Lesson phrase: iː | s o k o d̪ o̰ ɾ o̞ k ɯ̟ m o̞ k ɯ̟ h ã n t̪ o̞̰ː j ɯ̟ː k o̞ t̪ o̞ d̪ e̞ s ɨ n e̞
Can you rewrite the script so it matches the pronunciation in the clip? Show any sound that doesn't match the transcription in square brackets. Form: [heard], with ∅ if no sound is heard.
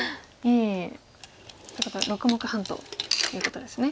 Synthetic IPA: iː | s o k o [t̪] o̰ ɾ o̞ k ɯ̟ m o̞ k ɯ̟ h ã n t̪ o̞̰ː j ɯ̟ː k o̞ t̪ o̞ d̪ e̞ s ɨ n e̞